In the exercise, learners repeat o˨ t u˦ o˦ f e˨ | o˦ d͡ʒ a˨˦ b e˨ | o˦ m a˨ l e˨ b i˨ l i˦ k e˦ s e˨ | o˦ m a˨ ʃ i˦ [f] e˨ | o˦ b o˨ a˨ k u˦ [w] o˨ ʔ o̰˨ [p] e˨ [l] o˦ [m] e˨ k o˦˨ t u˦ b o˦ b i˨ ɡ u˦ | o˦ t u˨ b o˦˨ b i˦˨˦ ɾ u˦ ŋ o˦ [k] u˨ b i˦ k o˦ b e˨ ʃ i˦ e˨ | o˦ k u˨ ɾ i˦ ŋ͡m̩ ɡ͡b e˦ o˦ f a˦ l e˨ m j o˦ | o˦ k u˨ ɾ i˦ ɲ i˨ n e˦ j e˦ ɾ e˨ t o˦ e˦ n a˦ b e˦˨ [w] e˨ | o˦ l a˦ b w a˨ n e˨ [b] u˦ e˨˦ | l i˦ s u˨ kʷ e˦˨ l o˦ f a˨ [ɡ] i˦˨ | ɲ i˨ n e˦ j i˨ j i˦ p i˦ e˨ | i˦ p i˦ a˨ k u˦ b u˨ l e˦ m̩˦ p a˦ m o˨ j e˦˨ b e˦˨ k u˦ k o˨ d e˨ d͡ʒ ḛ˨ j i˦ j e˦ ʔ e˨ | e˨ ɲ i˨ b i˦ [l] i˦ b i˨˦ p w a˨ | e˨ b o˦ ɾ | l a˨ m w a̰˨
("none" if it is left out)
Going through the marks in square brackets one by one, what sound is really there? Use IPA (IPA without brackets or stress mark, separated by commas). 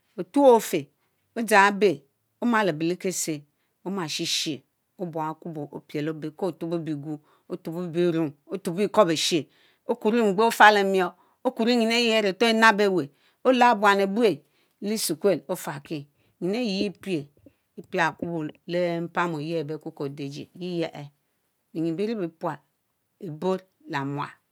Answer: ʃ, b, p, l, b, t, w, b, k, ɾ